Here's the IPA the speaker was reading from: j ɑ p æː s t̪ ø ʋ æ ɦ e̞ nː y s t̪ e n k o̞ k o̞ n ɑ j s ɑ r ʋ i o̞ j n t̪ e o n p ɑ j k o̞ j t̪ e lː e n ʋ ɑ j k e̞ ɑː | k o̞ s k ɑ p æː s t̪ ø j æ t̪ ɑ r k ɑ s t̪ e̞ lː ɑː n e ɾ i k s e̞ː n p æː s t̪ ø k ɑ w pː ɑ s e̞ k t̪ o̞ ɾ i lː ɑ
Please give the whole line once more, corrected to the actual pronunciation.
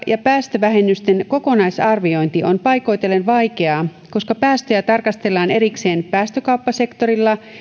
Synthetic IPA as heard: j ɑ p æː s t̪ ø ʋ æ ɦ e̞ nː y s t̪ e n k o̞ k o̞ n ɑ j s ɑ r ʋ i o̞ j n t̪ i o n p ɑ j k o̞ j t̪ e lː e n ʋ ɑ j k e̞ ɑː | k o̞ s k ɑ p æː s t̪ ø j æ t̪ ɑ r k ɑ s t̪ e̞ lː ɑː n e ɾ i k s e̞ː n p æː s t̪ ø k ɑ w pː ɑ s e̞ k t̪ o̞ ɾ i lː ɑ